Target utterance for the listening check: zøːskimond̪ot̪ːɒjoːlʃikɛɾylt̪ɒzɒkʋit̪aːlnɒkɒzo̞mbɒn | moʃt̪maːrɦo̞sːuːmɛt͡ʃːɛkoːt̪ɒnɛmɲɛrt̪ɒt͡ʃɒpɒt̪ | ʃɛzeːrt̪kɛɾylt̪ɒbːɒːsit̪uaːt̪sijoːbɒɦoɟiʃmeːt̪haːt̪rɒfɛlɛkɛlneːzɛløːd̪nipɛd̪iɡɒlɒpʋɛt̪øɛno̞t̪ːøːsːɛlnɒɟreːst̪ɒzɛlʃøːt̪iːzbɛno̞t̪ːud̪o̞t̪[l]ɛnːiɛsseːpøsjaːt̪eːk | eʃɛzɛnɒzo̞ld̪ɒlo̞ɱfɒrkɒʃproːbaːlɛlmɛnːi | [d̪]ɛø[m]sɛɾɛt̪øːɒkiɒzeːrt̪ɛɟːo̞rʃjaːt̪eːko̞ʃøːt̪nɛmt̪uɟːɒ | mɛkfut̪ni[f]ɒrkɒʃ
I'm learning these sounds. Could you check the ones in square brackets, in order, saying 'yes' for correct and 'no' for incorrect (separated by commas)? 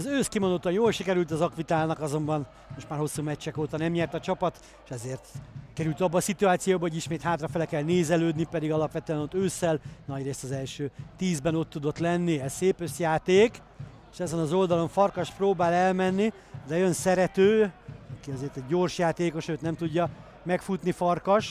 yes, yes, no, yes